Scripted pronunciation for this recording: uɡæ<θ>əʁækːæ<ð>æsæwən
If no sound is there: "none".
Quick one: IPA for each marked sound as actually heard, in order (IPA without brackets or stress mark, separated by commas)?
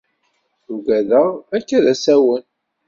ð, ð